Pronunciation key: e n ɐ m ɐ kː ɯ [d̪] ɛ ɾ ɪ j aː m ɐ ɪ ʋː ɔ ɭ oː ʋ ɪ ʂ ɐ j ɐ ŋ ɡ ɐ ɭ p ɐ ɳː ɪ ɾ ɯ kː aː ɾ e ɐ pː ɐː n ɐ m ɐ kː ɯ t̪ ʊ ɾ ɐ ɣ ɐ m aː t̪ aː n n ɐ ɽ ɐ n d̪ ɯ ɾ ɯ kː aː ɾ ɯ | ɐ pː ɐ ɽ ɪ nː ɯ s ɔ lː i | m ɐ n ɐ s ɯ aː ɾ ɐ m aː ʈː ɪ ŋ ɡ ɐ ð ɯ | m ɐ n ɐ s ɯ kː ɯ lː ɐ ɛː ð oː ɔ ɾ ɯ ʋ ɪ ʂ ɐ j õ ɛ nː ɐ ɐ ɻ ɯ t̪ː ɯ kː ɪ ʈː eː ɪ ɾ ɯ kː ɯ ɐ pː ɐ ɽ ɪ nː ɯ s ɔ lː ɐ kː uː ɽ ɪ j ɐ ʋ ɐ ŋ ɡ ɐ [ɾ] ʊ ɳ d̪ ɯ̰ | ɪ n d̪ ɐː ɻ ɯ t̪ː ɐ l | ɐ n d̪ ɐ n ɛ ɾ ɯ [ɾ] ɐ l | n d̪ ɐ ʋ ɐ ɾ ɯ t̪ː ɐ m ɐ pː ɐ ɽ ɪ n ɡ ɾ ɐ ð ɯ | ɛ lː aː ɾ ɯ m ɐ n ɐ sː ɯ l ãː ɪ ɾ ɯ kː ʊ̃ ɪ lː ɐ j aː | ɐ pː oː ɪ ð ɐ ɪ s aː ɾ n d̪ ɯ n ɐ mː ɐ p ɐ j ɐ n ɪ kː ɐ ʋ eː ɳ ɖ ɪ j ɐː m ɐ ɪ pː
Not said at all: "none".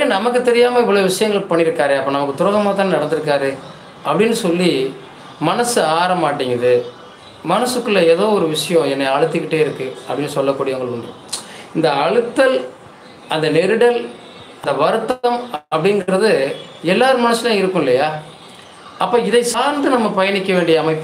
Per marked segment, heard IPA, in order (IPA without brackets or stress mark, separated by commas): t̪, ɭ, ɽ